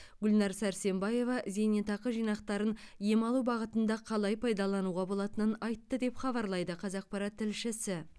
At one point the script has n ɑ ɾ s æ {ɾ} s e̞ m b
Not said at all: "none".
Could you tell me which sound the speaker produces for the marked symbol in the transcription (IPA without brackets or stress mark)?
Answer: ɾ